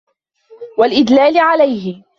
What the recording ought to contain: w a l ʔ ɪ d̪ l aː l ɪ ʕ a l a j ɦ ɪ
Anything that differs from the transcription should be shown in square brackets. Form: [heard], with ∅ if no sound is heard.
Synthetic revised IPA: w a l ʔ ɪ d̪ l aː l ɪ ʕ a l a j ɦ ɪ